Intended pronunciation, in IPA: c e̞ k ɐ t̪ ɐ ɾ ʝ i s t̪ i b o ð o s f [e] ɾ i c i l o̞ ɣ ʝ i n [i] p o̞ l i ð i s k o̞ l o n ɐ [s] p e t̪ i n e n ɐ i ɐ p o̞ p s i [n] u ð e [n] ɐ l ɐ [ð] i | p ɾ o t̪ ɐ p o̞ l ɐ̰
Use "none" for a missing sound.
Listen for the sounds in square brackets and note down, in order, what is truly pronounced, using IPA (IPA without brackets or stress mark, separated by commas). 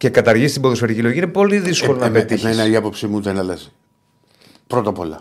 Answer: e, e, none, m, n, z